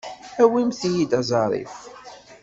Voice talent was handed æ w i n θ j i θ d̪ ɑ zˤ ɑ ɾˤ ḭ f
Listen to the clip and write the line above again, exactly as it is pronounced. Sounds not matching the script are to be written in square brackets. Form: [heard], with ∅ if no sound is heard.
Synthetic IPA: æ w i [m] θ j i [∅] d̪ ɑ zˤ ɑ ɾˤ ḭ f

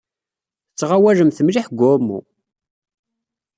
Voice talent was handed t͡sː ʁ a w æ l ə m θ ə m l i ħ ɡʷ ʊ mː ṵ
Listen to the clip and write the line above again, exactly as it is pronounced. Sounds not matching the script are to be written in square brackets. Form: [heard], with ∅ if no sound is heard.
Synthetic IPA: t͡sː ʁ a w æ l ə m θ ə m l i ħ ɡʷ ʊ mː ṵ

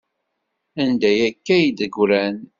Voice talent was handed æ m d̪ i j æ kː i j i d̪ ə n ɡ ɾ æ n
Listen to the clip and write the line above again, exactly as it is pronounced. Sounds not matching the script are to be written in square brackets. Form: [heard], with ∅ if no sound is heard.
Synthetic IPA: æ [n] d̪ [æ] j æ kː [æ] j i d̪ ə [∅] ɡ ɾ æ n

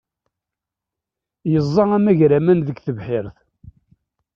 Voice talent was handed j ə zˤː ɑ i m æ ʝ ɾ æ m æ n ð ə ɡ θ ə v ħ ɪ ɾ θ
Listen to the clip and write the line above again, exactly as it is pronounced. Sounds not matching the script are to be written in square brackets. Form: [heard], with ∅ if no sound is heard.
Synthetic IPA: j ə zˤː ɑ [æ] m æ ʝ ɾ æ m æ n ð ə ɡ θ ə v ħ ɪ ɾ θ

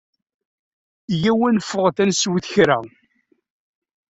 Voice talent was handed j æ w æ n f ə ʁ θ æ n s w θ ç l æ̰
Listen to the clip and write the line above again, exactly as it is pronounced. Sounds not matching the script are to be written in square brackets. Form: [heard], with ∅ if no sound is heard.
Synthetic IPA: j æ w æ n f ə ʁ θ æ n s w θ ç [ɾ] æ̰

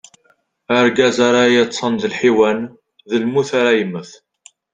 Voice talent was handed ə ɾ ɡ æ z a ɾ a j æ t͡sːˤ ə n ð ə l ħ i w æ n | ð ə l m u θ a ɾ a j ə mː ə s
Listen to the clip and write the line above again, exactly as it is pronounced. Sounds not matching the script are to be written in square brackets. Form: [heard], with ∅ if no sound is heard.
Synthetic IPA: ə ɾ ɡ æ z a ɾ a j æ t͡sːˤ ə n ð ə l ħ i w æ n | ð ə l m u θ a ɾ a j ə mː ə [θ]

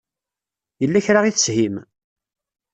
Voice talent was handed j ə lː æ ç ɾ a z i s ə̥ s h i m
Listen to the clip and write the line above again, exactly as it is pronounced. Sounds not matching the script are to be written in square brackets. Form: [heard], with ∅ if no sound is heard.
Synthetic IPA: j ə lː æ ç ɾ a [ʁ] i [θ] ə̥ s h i m

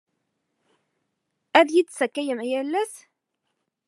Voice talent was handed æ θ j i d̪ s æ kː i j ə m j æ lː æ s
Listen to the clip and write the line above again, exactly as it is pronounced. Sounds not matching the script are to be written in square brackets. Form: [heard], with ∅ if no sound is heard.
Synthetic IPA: æ [ð] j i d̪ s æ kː [æ] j ə m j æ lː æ s

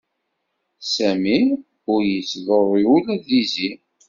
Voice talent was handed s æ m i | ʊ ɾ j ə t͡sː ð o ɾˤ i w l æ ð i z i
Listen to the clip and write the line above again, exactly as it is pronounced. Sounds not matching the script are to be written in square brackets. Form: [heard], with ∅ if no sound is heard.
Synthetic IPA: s æ m i | ʊ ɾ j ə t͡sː ð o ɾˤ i [u] l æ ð i z i

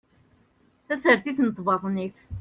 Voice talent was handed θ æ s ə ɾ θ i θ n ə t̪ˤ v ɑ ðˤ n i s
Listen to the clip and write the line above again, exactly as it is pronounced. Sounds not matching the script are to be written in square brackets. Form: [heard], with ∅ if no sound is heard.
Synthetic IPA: θ æ s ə ɾ θ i θ n ə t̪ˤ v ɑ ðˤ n i [θ]

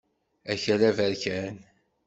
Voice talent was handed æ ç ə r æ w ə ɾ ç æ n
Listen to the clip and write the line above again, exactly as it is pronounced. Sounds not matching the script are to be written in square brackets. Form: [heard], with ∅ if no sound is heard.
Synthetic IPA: æ ç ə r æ [v] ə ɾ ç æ n

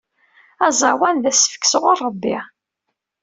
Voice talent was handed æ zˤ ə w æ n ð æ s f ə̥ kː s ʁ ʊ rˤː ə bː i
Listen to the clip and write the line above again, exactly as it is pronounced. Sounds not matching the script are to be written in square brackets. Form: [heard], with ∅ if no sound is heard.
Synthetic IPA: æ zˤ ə w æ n ð æ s f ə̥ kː s ʁ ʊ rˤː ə bː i

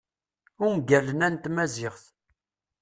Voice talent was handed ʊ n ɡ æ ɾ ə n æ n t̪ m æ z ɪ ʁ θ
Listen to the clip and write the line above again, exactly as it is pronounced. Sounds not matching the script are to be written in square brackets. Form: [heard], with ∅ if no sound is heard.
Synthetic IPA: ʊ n ɡ æ [l] ə n æ n t̪ m æ z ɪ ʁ θ

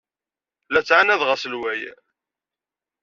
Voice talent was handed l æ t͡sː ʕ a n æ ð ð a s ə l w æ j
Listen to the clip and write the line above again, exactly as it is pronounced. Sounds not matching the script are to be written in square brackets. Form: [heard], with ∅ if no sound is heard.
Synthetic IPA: l æ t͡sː ʕ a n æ ð [ʁ] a s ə l w æ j

